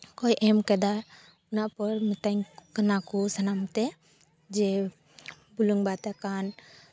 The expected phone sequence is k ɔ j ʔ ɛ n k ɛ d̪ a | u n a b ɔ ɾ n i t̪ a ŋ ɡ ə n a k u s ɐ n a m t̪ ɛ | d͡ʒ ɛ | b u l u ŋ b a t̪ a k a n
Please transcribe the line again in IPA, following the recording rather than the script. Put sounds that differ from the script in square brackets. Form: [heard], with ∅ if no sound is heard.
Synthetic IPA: k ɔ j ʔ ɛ [m] k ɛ d̪ a | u n a [p] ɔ ɾ [m] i t̪ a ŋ [k] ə n a k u s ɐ n a m t̪ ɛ | d͡ʒ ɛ | b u l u ŋ b a t̪ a k a n